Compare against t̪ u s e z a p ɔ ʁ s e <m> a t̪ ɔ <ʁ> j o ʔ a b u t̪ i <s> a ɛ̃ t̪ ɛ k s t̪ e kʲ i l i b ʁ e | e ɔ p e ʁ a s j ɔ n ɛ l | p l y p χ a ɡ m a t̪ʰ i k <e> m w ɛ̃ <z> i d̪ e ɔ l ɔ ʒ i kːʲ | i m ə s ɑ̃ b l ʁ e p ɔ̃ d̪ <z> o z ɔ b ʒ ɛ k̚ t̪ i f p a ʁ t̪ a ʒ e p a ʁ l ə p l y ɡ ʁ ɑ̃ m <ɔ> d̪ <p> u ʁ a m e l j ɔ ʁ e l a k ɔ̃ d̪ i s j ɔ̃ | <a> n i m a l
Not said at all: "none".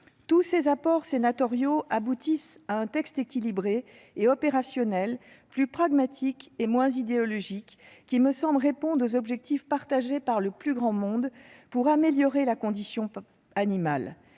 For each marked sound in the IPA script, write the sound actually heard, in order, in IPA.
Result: n, ʁ, s, e, z, ʁ, ɔ̃, p, a

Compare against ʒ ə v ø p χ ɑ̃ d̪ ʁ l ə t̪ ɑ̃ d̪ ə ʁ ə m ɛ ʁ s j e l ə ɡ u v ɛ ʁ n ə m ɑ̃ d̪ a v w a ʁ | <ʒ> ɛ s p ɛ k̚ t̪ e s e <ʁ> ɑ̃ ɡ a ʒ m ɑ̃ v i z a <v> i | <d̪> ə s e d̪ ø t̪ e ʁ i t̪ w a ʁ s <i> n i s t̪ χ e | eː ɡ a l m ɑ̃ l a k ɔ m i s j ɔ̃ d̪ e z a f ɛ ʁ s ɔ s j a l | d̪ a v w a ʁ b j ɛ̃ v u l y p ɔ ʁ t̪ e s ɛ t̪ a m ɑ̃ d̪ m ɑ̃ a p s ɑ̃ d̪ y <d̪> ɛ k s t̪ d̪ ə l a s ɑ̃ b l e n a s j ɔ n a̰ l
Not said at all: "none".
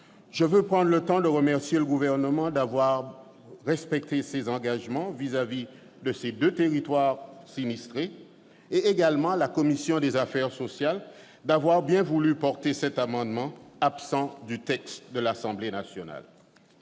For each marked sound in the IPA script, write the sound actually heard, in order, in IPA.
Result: ʁ, z, v, d̪, i, t̪

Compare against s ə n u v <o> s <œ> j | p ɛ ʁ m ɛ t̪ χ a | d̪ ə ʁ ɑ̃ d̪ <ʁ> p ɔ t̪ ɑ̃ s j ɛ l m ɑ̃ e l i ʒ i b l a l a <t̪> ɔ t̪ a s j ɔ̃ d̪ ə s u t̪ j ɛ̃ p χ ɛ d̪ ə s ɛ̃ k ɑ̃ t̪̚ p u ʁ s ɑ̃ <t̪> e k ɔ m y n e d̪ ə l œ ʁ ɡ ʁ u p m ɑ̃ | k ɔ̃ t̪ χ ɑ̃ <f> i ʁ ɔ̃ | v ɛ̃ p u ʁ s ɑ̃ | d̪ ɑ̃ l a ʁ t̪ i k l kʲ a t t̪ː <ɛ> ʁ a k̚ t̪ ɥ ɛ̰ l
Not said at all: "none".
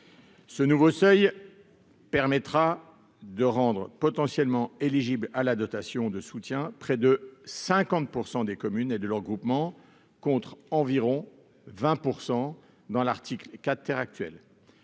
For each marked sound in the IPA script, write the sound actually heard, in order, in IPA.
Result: o, œ, ʁ, d̪, d̪, v, ɛ

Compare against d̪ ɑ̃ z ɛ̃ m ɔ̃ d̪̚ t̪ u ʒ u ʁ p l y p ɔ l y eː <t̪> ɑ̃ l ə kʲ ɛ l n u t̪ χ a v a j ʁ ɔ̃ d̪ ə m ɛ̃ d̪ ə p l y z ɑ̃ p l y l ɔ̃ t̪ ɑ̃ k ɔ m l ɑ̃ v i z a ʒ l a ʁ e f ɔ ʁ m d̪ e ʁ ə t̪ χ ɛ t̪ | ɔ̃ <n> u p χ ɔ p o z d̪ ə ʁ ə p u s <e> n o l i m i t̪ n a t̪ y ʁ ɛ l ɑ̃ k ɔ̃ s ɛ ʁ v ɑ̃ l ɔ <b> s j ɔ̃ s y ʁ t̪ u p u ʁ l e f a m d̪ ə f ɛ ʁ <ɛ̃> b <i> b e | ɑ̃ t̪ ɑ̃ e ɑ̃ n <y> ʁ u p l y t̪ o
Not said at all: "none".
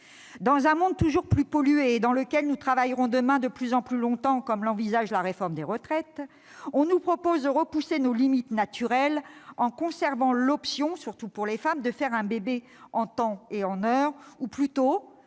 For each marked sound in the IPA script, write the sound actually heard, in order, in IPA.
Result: d̪, n, e, p, ɛ̃, e, œ

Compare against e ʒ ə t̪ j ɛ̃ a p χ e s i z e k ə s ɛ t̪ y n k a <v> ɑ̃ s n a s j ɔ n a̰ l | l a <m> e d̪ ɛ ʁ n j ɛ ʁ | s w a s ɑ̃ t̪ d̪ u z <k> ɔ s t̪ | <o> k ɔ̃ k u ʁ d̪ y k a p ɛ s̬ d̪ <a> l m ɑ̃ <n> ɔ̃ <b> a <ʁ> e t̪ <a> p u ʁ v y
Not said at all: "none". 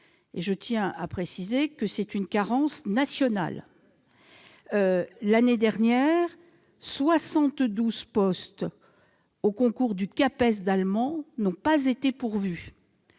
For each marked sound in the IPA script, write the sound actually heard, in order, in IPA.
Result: ʁ, n, p, o, a, n, p, z, e

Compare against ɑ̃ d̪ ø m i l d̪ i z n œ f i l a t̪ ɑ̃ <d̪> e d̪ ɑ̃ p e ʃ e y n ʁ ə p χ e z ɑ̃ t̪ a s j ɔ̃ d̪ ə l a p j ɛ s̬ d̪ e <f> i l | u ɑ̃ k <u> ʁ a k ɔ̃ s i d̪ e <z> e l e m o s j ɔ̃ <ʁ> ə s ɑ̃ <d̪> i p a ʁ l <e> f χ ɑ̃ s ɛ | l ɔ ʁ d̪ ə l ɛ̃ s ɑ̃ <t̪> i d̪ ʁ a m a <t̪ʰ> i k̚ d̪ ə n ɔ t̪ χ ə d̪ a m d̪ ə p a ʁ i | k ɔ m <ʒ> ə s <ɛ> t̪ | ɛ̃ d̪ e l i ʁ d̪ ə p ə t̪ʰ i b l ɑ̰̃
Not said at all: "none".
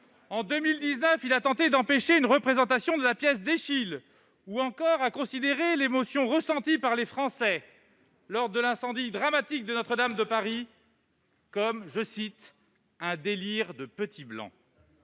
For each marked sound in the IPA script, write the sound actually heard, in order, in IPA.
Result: t̪, ʃ, ɔ, ʁ, ʁ, t̪, e, d̪, t̪, ʒ, i

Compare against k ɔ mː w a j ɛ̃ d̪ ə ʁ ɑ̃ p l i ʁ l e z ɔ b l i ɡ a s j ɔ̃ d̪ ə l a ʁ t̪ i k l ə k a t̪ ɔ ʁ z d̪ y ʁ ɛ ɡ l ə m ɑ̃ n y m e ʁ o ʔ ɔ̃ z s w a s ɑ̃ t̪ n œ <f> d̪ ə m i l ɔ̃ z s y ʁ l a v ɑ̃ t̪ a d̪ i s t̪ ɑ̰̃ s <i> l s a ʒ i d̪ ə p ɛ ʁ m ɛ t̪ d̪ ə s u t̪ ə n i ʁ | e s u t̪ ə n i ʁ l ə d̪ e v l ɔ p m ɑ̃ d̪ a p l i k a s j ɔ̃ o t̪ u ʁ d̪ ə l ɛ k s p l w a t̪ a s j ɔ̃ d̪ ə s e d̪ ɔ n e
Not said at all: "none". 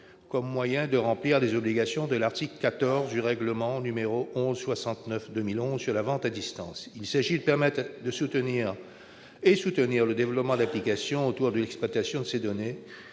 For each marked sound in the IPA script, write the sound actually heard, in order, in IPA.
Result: f, i

